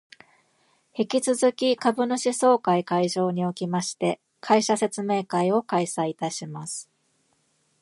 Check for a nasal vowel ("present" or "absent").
absent